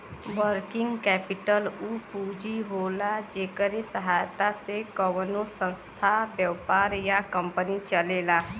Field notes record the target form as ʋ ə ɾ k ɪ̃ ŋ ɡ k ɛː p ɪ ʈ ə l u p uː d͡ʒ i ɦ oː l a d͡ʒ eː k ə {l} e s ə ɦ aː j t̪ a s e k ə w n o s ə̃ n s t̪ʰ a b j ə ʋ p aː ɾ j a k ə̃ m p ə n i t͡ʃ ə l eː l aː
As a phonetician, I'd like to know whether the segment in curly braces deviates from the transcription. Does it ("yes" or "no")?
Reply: yes